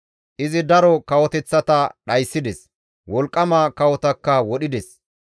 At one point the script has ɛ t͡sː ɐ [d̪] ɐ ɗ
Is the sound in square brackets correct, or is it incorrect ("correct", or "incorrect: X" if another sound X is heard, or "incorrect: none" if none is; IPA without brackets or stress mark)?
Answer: incorrect: t̪